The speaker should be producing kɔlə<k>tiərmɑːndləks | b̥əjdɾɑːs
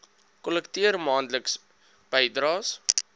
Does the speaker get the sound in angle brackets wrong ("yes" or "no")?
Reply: no